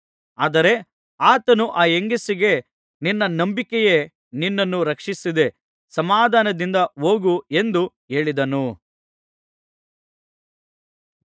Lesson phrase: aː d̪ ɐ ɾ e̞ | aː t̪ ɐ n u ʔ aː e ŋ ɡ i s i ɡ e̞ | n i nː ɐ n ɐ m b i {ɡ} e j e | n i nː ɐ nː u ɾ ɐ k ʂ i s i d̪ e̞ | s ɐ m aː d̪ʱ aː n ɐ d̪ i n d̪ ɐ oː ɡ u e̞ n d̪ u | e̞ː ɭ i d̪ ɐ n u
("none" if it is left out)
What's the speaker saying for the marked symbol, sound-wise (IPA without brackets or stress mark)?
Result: k